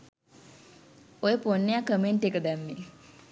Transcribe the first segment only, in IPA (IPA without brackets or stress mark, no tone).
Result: o